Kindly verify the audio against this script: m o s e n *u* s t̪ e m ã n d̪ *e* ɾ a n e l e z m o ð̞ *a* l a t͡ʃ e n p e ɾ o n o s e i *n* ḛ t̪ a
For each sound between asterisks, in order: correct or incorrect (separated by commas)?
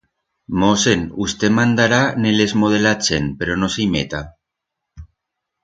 correct, incorrect, incorrect, incorrect